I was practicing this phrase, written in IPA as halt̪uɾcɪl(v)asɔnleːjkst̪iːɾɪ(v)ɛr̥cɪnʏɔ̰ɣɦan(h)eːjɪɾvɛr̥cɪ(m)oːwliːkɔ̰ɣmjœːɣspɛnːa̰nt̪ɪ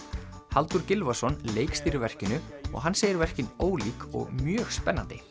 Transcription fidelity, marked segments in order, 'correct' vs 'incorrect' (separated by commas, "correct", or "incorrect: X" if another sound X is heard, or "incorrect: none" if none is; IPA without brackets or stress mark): correct, correct, incorrect: s, incorrect: n